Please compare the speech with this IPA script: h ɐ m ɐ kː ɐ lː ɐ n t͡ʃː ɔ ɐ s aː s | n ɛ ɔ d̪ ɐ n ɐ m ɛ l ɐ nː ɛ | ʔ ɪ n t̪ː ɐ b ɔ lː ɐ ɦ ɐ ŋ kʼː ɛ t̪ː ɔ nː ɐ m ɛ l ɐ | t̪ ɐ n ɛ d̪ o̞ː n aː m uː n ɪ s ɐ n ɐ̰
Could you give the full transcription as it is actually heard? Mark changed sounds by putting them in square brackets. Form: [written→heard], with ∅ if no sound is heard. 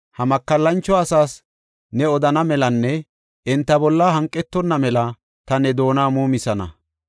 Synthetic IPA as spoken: h ɐ m ɐ kː ɐ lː ɐ n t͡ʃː ɔ ɐ s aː s | n ɛ ɔ d̪ ɐ n ɐ m ɛ l ɐ nː ɛ | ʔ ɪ n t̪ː ɐ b ɔ lː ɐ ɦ ɐ ŋ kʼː ɛ t̪ː ɔ nː ɐ m ɛ l ɐ | t̪ ɐ n ɛ d̪ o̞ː n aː m uː [n→m] ɪ s ɐ n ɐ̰

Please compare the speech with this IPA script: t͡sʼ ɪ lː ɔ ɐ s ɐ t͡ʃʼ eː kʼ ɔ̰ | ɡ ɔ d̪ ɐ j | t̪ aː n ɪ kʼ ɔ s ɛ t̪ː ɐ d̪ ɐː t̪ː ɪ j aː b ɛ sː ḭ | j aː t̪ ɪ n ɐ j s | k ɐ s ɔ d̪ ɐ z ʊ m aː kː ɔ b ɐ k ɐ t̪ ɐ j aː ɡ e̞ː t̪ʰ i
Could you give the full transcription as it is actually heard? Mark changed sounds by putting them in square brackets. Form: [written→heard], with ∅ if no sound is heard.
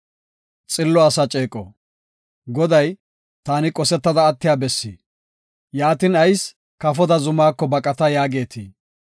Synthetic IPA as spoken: t͡sʼ ɪ lː ɔ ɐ s ɐ t͡ʃʼ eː kʼ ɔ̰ | ɡ ɔ d̪ ɐ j | t̪ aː n ɪ kʼ ɔ s ɛ t̪ː ɐ d̪ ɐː t̪ː ɪ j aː b ɛ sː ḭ | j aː t̪ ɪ n ɐ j s | k ɐ [s→f] ɔ d̪ ɐ z ʊ m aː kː ɔ b ɐ [k→kʼ] ɐ t̪ ɐ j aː ɡ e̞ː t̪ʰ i

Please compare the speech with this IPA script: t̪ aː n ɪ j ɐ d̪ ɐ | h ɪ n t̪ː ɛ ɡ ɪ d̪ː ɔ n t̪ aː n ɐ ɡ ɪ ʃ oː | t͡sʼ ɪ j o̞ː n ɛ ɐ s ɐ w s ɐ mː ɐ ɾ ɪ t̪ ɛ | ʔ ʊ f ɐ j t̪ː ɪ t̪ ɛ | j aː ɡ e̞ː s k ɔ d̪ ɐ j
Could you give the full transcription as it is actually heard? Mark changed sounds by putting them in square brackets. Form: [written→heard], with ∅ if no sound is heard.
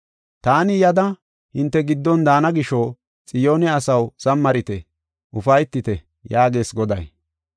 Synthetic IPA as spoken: t̪ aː n ɪ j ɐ d̪ ɐ | h ɪ n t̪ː ɛ ɡ ɪ d̪ː ɔ n [t̪→d̪] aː n ɐ ɡ ɪ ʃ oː | t͡sʼ ɪ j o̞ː n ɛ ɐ s ɐ w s ɐ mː ɐ ɾ ɪ t̪ ɛ | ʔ ʊ f ɐ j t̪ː ɪ t̪ ɛ | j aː ɡ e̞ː s [k→ɡ] ɔ d̪ ɐ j

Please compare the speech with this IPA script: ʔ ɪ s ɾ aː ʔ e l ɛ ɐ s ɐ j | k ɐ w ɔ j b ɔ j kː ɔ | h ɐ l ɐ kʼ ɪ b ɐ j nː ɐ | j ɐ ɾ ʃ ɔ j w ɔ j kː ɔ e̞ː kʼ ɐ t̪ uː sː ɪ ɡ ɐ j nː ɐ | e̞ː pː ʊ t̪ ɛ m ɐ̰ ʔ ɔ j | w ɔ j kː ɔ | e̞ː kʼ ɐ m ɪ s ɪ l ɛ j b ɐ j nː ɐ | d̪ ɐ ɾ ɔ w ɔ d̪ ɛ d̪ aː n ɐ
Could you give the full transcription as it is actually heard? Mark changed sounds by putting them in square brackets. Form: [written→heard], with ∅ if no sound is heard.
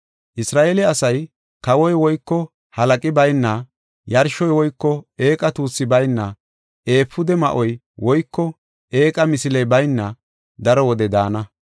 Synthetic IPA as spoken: ʔ ɪ s ɾ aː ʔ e l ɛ ɐ s ɐ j | k ɐ w ɔ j [b→w] ɔ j kː ɔ | h ɐ l ɐ kʼ ɪ b ɐ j nː ɐ | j ɐ ɾ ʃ ɔ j w ɔ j kː ɔ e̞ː kʼ ɐ t̪ uː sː ɪ [ɡ→b] ɐ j nː ɐ | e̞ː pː ʊ [t̪→d̪] ɛ m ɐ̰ ʔ ɔ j | w ɔ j kː ɔ | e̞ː kʼ ɐ m ɪ s ɪ l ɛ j b ɐ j nː ɐ | d̪ ɐ ɾ ɔ w ɔ d̪ ɛ d̪ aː n ɐ

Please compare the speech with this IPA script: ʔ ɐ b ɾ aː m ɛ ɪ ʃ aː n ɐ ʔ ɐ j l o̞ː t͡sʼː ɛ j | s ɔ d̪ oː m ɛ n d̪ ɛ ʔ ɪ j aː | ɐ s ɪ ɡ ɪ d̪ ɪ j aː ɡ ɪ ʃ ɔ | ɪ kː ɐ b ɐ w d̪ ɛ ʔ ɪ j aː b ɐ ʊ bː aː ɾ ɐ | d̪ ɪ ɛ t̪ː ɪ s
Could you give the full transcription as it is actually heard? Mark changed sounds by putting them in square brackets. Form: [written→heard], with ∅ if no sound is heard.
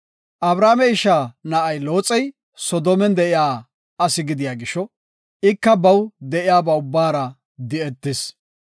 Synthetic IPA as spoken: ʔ ɐ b ɾ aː m ɛ ɪ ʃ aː n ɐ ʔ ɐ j l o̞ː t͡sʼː ɛ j | s ɔ d̪ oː m ɛ n d̪ ɛ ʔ ɪ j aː | ɐ s ɪ ɡ ɪ d̪ ɪ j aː ɡ ɪ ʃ ɔ | ɪ kː ɐ b ɐ w d̪ ɛ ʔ ɪ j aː b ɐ ʊ bː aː ɾ ɐ | d̪ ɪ ɛ t̪ː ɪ s

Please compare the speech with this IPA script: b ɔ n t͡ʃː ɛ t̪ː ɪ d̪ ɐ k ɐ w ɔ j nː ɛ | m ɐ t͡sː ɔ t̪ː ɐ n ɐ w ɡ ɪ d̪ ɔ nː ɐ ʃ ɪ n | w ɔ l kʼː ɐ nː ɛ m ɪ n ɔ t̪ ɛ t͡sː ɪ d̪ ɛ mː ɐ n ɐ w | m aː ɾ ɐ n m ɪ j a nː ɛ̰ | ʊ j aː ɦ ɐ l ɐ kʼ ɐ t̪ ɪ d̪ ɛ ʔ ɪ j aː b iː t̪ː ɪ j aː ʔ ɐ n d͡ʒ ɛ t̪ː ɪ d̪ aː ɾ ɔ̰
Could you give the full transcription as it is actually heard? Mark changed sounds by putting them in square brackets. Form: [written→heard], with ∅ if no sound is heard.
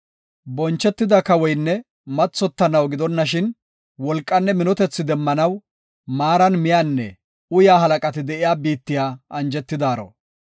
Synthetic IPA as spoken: b ɔ n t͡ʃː ɛ t̪ː ɪ d̪ ɐ k ɐ w ɔ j nː ɛ | m ɐ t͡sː ɔ t̪ː ɐ n ɐ w ɡ ɪ d̪ ɔ nː ɐ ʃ ɪ n | w ɔ l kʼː ɐ nː ɛ m ɪ n ɔ t̪ ɛ t͡sː ɪ d̪ ɛ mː ɐ n ɐ w | m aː ɾ ɐ n m ɪ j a nː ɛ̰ | ʊ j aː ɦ ɐ l ɐ kʼ ɐ t̪ ɪ d̪ ɛ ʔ ɪ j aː b iː t̪ː ɪ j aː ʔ ɐ n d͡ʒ ɛ t̪ː ɪ d̪ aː ɾ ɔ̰

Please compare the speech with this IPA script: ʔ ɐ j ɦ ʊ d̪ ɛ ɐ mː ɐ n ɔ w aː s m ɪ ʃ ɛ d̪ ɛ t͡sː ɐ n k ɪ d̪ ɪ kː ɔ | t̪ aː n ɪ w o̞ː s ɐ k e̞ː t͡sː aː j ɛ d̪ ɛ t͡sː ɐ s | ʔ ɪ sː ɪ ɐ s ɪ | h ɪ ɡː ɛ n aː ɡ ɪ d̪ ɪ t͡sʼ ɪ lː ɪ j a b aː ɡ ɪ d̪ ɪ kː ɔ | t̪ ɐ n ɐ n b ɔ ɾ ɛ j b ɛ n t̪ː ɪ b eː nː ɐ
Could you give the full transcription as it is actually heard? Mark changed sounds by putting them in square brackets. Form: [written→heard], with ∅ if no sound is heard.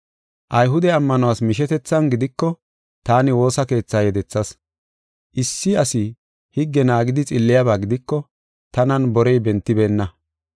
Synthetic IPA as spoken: ʔ ɐ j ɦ ʊ d̪ ɛ ɐ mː ɐ n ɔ w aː s m ɪ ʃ ɛ [d̪→t̪] ɛ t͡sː ɐ n [k→ɡ] ɪ d̪ ɪ kː ɔ | t̪ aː n ɪ w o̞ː s ɐ k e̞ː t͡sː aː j ɛ d̪ ɛ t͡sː ɐ s | ʔ ɪ sː ɪ ɐ s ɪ | h ɪ ɡː ɛ n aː ɡ ɪ d̪ ɪ t͡sʼ ɪ lː ɪ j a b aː ɡ ɪ d̪ ɪ kː ɔ | t̪ ɐ n ɐ n b ɔ ɾ ɛ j b ɛ n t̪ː ɪ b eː nː ɐ

